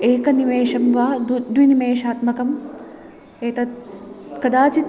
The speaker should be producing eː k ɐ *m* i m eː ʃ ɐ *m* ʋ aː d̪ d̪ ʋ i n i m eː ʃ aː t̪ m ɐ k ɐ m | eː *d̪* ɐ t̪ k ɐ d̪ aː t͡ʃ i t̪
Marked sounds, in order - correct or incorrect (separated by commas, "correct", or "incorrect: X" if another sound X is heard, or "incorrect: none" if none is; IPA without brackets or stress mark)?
incorrect: n, correct, incorrect: t̪